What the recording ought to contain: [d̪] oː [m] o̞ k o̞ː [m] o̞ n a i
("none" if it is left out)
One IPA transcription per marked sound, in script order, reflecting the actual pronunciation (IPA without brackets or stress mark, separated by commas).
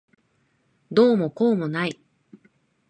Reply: d̪, m, m